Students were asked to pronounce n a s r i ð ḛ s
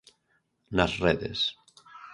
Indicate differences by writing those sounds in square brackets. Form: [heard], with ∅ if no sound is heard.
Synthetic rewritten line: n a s r [e] ð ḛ s